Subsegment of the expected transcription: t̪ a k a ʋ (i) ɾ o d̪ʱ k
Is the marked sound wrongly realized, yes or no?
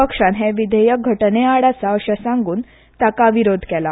no